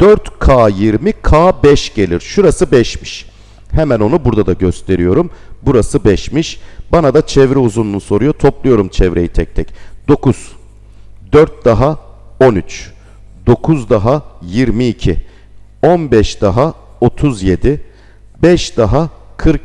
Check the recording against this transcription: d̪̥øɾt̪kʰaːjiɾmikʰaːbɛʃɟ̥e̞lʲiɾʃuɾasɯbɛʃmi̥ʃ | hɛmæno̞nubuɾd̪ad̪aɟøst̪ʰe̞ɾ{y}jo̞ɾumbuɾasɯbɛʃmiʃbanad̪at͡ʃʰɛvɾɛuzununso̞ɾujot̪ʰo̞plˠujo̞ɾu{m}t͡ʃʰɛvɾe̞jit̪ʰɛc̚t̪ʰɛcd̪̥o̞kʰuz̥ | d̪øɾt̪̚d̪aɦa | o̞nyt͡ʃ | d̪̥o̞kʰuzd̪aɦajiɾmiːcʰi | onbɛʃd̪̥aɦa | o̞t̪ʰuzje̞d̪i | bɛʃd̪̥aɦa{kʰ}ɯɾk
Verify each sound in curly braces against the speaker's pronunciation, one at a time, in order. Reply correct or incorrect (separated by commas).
incorrect, correct, correct